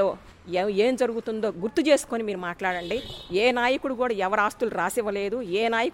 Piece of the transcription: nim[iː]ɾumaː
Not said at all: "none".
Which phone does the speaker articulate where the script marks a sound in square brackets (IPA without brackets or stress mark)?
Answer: iː